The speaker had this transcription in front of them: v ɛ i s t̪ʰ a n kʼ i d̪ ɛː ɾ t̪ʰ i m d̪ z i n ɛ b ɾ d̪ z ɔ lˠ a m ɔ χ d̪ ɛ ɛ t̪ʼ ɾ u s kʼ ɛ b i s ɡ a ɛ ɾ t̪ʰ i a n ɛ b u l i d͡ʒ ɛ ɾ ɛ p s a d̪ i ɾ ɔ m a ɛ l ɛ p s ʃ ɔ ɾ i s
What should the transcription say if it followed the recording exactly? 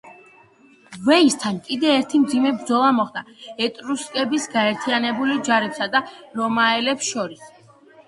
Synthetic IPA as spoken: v ɛ i s t̪ʰ a n kʼ i d̪ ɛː ɾ t̪ʰ i m d̪ z i m ɛ b ɾ d̪ z ɔ lˠ a m ɔ χ d̪ a ɛ t̪ʼ ɾ u s kʼ ɛ b i s ɡ a ɛ ɾ t̪ʰ i a n ɛ b u l i d͡ʒ a ɾ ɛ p s a d̪ a ɾ ɔ m a ɛ l ɛ p s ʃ ɔ ɾ i s